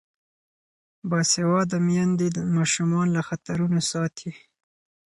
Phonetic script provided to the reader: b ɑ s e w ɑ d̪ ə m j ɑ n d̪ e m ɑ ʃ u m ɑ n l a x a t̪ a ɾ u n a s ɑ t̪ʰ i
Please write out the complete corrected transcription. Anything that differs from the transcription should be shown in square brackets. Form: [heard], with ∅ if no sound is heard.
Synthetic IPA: b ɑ s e w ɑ d̪ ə m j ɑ n d̪ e m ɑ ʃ u m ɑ n l a x a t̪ a ɾ u n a s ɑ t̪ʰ i